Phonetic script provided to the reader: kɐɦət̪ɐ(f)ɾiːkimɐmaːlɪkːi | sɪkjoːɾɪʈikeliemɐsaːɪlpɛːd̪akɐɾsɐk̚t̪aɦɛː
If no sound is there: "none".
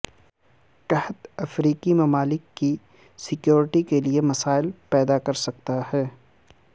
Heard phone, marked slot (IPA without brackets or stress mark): f